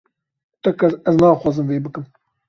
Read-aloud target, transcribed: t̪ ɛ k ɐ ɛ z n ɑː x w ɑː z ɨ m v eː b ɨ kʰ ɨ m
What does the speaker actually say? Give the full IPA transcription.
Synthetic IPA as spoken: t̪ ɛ k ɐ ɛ z n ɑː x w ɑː z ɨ m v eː b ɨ k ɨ m